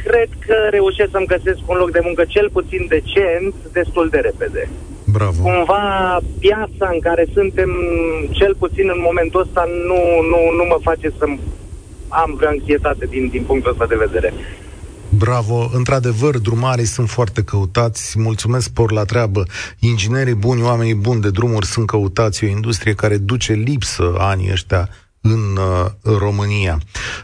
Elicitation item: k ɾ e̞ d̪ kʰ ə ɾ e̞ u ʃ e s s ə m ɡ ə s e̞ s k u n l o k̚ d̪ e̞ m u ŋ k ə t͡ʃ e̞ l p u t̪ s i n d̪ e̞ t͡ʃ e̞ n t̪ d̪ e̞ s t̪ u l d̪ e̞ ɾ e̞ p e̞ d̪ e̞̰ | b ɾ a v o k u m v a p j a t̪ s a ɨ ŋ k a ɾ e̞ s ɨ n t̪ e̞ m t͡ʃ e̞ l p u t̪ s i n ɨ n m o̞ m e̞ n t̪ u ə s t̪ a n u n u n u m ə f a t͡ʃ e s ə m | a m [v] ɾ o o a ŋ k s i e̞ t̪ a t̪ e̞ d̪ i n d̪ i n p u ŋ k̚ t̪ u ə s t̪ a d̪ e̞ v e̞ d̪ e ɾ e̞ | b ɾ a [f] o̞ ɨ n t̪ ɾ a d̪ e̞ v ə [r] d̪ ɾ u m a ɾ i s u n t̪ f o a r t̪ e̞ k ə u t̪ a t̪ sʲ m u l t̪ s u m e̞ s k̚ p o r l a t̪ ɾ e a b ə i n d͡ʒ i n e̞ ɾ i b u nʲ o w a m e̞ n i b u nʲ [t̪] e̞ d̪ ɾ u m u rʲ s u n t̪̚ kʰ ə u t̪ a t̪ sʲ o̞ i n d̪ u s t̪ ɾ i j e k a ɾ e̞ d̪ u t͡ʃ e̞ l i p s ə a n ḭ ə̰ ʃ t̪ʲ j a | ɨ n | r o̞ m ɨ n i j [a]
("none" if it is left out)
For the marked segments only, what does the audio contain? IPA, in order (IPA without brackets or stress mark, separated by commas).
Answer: v, v, r, d̪, a